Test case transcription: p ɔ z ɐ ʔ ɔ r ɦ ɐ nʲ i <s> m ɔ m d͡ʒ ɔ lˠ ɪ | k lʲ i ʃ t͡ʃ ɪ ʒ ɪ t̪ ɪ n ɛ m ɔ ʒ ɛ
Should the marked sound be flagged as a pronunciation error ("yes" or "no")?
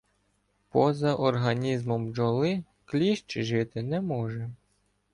yes